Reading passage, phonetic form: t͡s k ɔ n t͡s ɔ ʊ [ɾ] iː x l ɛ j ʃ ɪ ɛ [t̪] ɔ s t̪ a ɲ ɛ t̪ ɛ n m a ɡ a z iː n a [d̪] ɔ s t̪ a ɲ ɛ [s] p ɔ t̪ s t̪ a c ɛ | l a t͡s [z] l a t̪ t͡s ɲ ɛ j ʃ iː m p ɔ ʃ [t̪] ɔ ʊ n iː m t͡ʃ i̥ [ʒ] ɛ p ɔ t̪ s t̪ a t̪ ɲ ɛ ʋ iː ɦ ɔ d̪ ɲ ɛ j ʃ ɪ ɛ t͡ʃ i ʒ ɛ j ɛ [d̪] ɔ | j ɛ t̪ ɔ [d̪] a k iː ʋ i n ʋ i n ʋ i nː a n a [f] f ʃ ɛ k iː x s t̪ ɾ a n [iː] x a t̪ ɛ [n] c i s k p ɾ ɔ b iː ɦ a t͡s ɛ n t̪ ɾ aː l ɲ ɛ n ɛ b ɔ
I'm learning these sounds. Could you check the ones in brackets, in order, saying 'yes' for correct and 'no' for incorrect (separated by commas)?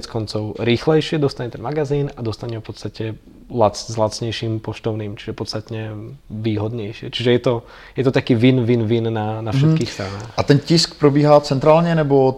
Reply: yes, no, yes, no, yes, yes, yes, no, no, yes, no, yes